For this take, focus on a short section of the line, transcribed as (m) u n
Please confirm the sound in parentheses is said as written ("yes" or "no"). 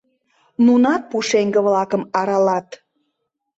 no